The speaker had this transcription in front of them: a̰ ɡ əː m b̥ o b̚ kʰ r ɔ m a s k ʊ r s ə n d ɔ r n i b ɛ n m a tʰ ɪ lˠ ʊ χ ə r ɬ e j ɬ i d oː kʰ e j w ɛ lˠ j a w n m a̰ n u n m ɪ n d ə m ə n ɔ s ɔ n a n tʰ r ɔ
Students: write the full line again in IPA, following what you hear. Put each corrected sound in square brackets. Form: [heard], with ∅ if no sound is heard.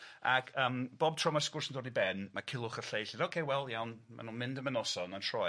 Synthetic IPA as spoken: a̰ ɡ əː m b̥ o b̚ [tʰ] r ɔ m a s k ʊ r s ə n d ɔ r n i b ɛ n m a [kʰ] ɪ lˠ ʊ χ ə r ɬ e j ɬ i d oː kʰ e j w ɛ lˠ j a w n m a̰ n u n m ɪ n d ə m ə n ɔ s ɔ n a n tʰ r ɔ